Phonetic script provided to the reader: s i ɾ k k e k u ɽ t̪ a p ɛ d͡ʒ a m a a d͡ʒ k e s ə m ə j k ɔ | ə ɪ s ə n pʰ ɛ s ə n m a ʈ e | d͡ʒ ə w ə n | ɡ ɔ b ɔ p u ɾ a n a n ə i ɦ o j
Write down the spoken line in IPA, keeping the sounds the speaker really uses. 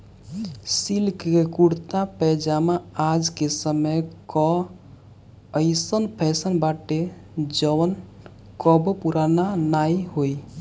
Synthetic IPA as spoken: s i l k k e k u ɽ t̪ a p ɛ d͡ʒ a m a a d͡ʒ k e s ə m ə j k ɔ | ə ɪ s ə n pʰ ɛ s ə n b a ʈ e | d͡ʒ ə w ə n | k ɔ b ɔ p u ɾ a n a n a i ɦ o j